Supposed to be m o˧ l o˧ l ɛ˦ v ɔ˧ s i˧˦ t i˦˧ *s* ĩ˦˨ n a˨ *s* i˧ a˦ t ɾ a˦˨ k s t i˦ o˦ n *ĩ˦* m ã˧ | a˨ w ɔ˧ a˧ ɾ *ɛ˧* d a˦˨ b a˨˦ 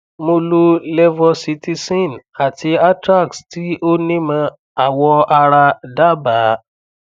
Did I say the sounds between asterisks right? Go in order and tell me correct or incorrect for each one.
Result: correct, incorrect, correct, incorrect

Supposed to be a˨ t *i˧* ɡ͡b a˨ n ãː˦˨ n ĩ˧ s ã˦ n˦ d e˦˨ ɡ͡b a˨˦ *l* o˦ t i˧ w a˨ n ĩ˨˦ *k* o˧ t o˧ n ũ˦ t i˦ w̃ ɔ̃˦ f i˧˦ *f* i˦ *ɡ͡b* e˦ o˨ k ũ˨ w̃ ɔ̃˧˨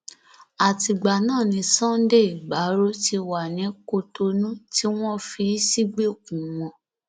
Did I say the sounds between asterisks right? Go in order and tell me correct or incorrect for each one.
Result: correct, incorrect, correct, incorrect, correct

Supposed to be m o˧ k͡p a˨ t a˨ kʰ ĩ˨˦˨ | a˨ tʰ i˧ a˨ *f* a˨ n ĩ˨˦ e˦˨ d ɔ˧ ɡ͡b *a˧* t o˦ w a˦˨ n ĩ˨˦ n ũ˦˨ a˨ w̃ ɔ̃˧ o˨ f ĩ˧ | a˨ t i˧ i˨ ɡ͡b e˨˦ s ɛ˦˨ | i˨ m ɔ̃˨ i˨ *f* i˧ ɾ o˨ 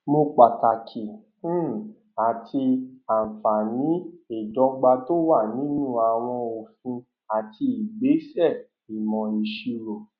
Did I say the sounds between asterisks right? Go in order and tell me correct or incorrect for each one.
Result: correct, correct, incorrect

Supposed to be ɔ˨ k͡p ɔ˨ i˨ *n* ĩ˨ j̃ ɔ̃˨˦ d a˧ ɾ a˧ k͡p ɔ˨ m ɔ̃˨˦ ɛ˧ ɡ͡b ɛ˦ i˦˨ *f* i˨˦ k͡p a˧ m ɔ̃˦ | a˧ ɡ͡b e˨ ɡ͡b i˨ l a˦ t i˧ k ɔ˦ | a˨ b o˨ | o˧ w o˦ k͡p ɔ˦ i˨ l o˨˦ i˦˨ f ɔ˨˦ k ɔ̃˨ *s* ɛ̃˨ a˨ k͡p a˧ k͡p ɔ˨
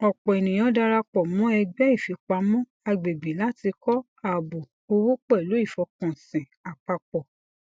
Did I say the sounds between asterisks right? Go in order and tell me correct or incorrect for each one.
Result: correct, correct, correct

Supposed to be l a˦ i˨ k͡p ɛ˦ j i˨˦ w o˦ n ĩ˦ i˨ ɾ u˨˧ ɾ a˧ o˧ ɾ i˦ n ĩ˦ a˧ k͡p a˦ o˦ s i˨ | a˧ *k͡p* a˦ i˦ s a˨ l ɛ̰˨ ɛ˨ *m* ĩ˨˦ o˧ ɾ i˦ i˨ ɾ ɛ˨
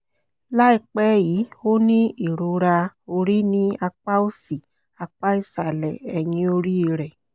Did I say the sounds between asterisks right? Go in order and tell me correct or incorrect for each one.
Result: correct, incorrect

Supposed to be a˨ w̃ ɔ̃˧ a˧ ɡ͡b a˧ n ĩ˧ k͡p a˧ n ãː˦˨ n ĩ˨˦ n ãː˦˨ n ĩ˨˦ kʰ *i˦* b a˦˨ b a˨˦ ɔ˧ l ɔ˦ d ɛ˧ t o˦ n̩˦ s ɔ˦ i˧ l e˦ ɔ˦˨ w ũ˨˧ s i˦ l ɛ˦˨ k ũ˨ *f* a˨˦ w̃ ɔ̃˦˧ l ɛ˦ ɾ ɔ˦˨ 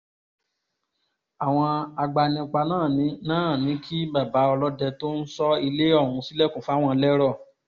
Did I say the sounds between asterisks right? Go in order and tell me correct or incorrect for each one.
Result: correct, correct

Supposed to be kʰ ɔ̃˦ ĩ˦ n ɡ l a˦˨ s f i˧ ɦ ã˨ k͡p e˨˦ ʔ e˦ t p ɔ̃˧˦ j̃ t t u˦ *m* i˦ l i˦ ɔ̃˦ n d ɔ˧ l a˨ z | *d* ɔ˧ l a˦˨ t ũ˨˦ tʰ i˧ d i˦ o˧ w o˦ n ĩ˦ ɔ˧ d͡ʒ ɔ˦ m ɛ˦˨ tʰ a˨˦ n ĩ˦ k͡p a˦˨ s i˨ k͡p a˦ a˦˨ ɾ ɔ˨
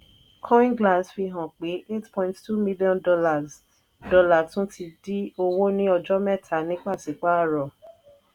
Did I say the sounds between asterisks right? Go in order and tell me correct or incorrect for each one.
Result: correct, correct

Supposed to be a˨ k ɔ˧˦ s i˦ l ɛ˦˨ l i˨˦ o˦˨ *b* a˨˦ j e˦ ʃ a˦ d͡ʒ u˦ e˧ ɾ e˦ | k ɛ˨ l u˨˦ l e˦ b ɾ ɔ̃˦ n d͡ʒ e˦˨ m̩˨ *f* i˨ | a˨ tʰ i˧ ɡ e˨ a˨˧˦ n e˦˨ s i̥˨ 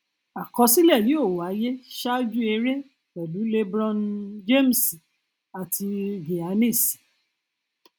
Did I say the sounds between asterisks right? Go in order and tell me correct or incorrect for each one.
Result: incorrect, incorrect

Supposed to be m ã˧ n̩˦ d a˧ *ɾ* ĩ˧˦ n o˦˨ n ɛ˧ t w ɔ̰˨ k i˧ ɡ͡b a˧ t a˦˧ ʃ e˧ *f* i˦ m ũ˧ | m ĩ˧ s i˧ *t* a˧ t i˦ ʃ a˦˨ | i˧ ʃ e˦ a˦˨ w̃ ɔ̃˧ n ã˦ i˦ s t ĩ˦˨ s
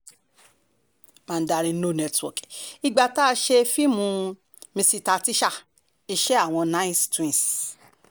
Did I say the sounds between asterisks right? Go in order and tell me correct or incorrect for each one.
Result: correct, correct, correct

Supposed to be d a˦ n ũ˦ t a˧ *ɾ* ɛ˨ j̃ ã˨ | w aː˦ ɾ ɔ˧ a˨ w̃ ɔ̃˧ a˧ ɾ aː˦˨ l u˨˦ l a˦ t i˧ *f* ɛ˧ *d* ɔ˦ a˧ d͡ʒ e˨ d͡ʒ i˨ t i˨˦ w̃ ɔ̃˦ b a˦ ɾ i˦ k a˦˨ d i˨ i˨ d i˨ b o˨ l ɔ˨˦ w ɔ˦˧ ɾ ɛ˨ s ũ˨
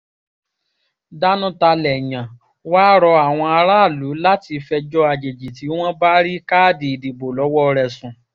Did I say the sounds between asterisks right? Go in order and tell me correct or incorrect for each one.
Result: incorrect, correct, incorrect

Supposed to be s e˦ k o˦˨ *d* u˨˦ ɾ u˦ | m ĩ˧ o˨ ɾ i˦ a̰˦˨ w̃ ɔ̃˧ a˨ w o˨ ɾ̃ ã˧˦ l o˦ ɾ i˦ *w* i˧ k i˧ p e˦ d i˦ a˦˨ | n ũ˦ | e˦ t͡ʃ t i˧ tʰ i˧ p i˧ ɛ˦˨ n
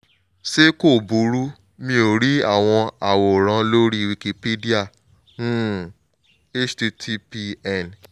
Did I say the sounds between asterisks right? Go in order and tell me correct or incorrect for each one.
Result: incorrect, correct

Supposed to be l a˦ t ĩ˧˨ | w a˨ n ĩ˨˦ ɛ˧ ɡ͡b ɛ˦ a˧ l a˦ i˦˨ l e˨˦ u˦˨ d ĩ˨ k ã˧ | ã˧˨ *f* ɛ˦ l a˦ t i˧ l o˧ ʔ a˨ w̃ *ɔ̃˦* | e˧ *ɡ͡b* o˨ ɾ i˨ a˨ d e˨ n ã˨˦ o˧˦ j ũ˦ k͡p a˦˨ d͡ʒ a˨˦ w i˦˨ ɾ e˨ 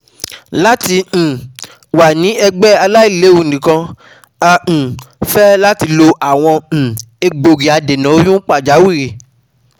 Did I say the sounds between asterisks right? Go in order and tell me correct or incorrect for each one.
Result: correct, incorrect, correct

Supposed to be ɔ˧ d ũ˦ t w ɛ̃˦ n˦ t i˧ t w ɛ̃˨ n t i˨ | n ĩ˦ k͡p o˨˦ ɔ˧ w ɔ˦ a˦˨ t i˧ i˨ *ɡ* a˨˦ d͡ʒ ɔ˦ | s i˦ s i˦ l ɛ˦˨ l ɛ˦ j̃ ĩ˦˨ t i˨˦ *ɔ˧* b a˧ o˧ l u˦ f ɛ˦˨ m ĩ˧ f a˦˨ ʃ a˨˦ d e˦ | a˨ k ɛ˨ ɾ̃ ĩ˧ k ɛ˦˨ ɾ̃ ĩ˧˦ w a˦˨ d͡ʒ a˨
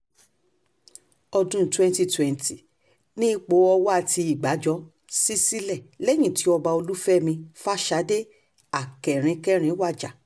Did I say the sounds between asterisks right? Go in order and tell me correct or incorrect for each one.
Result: incorrect, correct

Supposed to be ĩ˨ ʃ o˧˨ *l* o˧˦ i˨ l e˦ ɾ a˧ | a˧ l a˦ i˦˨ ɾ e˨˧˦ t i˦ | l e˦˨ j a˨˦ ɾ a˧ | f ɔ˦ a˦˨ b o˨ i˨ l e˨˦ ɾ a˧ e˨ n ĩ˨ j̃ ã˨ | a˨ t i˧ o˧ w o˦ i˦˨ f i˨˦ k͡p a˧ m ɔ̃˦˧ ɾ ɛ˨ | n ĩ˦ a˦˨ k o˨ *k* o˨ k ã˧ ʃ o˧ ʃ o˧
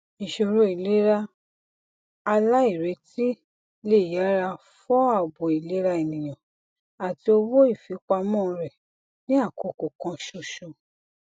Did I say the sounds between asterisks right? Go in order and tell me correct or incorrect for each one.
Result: incorrect, correct

